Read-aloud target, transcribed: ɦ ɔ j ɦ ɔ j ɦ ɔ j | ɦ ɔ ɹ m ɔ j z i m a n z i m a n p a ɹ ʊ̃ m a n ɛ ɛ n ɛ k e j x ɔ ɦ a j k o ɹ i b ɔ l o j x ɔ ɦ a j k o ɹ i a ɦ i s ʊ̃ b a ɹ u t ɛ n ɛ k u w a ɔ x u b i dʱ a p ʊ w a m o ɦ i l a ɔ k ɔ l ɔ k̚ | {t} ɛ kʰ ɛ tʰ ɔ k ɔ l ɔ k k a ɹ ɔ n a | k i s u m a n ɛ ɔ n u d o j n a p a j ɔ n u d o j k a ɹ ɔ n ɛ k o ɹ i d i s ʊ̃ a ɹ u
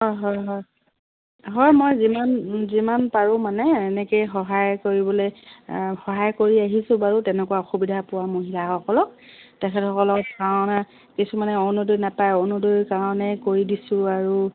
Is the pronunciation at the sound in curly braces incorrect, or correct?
correct